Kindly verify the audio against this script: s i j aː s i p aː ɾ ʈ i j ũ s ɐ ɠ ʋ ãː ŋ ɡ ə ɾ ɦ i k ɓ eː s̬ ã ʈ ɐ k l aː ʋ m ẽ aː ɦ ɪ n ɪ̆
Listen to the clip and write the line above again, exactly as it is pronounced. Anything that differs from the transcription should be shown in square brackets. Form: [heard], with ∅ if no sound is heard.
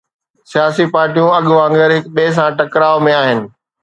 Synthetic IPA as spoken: s i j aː s i p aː ɾ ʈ i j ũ [∅] ɐ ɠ ʋ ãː ŋ ɡ ə ɾ ɦ [ɪ] k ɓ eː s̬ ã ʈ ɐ k [ɾ] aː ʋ m ẽ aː ɦ ɪ n ɪ̆